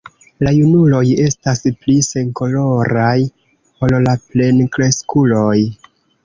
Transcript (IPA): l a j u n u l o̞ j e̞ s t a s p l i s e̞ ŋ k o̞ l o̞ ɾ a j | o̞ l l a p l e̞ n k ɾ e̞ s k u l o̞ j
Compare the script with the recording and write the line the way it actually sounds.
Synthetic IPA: l a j u n u l o̞ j e̞ s t a s p l i s e̞ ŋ k o̞ l o̞ ɾ a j | o̞ l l a p l e̞ n k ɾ e̞ s k u l o̞ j